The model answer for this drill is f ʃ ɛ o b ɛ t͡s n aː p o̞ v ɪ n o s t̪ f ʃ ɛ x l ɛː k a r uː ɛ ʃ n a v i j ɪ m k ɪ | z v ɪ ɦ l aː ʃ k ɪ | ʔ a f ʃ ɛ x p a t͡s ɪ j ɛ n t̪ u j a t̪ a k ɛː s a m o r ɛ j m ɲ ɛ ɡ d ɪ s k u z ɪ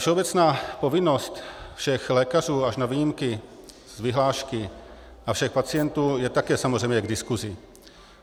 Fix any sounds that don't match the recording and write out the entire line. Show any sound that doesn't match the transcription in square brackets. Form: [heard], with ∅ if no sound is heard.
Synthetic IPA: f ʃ ɛ o b ɛ t͡s n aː p o̞ v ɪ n o s t̪ f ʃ ɛ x l ɛː k a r uː [a] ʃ n a v i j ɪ m k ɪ | z v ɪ ɦ l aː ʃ k ɪ | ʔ a f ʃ ɛ x p a t͡s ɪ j ɛ n t̪ [uː] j [ɛ] t̪ a k ɛː s a m o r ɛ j m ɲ ɛ ɡ d ɪ s k u z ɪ